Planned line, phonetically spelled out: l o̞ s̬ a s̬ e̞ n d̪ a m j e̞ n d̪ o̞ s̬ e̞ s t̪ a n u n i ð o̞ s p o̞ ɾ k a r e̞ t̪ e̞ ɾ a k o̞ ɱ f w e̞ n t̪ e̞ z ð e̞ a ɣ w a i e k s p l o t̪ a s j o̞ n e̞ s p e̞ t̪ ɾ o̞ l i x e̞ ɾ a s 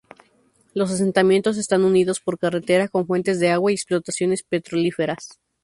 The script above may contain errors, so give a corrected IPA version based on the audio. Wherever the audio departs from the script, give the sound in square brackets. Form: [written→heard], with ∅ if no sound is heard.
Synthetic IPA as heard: l o̞ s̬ a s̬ e̞ n [d̪→t̪] a m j e̞ n [d̪→t̪] o̞ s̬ e̞ s t̪ a n u n i ð o̞ s p o̞ ɾ k a r e̞ t̪ e̞ ɾ a k o̞ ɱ f w e̞ n t̪ e̞ z ð e̞ a ɣ w a i e k s p l o t̪ a s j o̞ n e̞ s p e̞ t̪ ɾ o̞ l i [x→f] e̞ ɾ a s